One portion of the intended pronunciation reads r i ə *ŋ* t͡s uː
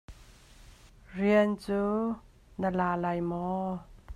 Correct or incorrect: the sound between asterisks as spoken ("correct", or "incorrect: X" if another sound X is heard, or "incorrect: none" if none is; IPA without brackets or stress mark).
incorrect: n